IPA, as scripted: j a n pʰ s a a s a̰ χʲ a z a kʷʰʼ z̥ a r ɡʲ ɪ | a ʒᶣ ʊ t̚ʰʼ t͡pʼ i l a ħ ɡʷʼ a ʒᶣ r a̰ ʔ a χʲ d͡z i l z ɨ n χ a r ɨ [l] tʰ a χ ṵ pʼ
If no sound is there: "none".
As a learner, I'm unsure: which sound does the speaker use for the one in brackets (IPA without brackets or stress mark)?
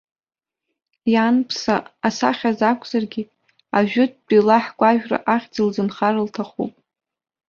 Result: l